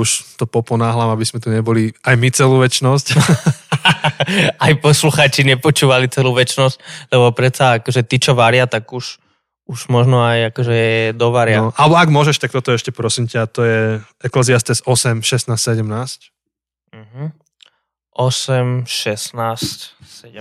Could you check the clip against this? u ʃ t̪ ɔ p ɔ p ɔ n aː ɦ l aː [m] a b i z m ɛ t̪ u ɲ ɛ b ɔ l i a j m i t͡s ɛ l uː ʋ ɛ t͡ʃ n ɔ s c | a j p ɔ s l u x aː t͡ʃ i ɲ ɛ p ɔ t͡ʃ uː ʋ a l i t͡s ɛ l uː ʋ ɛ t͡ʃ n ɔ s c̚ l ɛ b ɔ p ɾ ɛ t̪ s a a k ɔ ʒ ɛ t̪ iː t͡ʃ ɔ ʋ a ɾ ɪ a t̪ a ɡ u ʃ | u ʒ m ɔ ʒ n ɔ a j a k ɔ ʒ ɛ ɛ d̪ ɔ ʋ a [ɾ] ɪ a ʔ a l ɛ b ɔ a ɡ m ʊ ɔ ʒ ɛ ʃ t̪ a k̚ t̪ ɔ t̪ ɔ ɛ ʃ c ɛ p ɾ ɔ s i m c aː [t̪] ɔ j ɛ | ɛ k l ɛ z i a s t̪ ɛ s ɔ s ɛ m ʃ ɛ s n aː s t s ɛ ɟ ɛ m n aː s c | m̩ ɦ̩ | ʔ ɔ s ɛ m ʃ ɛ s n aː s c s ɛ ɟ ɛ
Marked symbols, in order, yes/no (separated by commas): yes, yes, yes